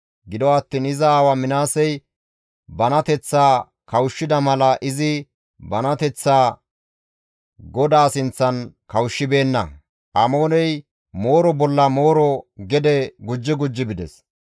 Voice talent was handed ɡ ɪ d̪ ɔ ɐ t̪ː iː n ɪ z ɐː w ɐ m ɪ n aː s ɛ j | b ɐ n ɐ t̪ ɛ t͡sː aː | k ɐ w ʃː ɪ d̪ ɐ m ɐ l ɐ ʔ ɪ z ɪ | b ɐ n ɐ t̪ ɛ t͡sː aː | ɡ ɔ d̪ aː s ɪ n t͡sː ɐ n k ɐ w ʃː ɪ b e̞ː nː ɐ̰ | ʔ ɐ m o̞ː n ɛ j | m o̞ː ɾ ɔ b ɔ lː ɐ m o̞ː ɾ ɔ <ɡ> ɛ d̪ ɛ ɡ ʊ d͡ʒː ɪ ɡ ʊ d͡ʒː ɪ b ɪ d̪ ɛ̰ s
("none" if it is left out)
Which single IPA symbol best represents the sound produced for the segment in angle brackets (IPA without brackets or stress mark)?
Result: ɡ